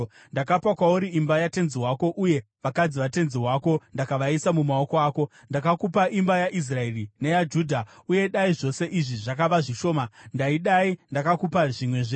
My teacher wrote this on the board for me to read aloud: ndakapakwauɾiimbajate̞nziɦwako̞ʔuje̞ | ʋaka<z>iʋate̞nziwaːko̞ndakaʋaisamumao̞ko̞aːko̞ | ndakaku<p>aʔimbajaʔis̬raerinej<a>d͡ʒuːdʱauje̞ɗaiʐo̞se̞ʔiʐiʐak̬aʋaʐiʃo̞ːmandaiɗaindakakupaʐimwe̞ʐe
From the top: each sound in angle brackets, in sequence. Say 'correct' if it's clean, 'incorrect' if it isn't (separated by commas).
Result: incorrect, correct, correct